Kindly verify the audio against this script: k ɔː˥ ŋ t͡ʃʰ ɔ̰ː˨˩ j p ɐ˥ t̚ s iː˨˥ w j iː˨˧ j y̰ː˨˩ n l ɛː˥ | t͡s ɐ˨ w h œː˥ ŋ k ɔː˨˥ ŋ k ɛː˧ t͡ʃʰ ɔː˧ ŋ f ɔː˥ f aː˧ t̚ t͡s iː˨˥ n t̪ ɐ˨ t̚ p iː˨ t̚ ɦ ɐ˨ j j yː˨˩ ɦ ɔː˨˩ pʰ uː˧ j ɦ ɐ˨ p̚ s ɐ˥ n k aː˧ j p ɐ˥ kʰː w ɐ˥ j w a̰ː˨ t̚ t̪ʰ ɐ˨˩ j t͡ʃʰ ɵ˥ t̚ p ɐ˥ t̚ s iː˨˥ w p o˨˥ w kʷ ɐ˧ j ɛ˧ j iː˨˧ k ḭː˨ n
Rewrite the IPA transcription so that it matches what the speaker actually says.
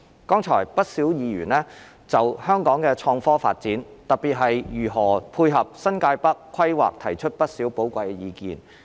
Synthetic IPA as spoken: k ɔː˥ ŋ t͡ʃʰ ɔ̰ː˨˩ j p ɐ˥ t̚ s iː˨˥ w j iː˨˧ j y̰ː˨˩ n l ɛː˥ | t͡s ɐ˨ w h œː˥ ŋ k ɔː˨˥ ŋ k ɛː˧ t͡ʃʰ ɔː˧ ŋ f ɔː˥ f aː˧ t̚ t͡s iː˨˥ n t̪ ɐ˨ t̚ p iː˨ t̚ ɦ ɐ˨ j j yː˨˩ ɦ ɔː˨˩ pʰ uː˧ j ɦ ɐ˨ p̚ s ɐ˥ n k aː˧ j p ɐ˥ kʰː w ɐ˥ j w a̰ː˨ k̚ t̪ʰ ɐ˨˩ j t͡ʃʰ ɵ˥ t̚ p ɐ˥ t̚ s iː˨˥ w p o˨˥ w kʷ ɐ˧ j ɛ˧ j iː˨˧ k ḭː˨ n

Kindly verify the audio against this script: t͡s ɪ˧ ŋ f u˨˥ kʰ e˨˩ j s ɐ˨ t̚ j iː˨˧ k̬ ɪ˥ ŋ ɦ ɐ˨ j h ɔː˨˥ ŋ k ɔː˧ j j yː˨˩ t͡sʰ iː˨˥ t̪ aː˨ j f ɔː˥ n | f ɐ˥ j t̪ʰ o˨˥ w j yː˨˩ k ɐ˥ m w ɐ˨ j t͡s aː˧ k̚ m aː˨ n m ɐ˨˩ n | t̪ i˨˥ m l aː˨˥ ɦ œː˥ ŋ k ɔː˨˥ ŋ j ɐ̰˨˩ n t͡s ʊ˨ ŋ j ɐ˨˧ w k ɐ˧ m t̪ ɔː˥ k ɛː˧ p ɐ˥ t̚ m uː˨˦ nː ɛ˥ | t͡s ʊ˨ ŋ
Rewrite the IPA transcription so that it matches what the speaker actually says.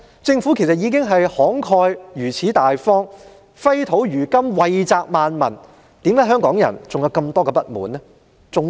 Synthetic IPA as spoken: t͡s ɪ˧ ŋ f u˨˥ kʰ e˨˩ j s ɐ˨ t̚ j iː˨˧ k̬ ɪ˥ ŋ ɦ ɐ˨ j h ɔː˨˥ ŋ kʰ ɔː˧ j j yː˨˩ t͡sʰ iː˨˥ t̪ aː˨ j f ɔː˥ ŋ | f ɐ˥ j t̪ʰ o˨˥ w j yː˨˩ k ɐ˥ m w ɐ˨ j t͡s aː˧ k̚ m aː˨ n m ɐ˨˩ n | t̪ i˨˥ m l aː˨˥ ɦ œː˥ ŋ k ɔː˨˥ ŋ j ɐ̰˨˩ n t͡s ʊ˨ ŋ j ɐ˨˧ w k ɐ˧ m t̪ ɔː˥ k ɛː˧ p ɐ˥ t̚ m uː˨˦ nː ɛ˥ | t͡s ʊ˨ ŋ

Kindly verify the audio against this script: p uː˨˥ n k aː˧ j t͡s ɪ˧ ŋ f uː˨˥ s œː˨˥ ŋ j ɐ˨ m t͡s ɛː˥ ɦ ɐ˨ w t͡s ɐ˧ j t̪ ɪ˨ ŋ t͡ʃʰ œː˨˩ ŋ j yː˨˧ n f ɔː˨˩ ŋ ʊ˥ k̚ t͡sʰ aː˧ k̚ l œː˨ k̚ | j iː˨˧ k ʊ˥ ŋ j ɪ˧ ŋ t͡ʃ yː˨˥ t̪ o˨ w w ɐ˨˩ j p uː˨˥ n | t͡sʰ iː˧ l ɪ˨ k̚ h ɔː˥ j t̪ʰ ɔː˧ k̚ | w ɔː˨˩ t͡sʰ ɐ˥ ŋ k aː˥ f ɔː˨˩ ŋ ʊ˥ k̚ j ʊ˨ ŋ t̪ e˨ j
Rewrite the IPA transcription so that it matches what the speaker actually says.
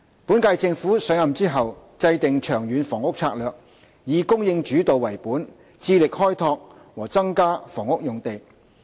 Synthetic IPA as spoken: p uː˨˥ n k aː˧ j t͡s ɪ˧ ŋ f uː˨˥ s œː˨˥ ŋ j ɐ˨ m t͡s iː˥ ɦ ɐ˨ w t͡s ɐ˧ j t̪ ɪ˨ ŋ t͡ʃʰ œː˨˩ ŋ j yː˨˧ n f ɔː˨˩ ŋ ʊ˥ k̚ t͡sʰ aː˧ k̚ l œː˨ k̚ | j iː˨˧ k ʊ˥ ŋ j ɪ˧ ŋ t͡ʃ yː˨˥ t̪ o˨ w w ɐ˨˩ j p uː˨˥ n | t͡s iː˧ l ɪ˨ k̚ h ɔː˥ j t̪ʰ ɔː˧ k̚ | w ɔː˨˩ t͡s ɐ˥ ŋ k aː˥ f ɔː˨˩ ŋ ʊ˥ k̚ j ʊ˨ ŋ t̪ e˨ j

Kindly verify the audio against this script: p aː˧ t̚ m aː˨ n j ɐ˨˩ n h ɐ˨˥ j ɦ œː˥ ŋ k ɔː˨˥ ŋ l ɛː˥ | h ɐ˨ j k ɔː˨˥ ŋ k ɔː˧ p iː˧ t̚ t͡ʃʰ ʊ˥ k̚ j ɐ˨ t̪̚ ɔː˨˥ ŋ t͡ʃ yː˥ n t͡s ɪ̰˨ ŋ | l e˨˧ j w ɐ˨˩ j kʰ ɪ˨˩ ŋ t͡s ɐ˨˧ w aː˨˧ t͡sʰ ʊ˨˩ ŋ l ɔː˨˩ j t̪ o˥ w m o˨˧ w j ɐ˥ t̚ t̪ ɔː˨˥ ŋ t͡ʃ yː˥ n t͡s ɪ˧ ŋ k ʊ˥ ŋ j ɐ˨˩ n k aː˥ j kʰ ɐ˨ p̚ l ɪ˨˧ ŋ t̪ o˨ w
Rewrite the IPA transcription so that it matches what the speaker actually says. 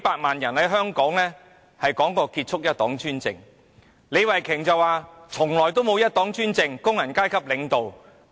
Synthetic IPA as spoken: p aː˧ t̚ m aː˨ n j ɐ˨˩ n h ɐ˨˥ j ɦ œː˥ ŋ k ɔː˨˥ ŋ l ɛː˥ | h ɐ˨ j k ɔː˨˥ ŋ k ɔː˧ k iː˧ t̚ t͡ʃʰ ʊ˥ k̚ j ɐ˥ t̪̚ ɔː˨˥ ŋ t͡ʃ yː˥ n t͡s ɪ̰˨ ŋ | l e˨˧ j w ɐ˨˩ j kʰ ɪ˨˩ ŋ t͡s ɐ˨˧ w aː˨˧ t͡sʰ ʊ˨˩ ŋ l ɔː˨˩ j t̪ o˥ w m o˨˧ w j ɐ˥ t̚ t̪ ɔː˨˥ ŋ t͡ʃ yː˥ n t͡s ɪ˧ ŋ k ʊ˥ ŋ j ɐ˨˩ n k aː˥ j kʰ ɐ˥ p̚ l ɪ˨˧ ŋ t̪ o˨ w

